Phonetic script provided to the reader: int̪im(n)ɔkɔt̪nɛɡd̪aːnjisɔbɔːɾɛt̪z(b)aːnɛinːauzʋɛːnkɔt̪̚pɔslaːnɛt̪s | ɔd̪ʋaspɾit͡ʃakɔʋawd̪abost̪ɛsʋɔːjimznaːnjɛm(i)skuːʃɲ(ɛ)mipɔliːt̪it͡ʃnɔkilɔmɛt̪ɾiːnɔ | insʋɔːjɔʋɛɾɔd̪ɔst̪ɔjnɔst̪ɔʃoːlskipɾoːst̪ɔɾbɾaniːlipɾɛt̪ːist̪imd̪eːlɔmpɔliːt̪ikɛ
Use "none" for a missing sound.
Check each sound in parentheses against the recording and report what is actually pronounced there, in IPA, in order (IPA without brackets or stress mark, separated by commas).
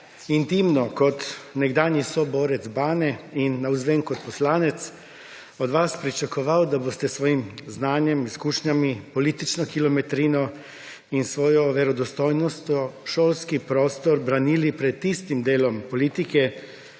n, b, i, a